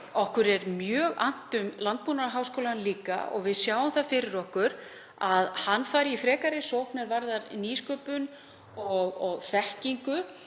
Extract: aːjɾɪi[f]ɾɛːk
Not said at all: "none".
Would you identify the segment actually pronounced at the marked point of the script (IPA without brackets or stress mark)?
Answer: f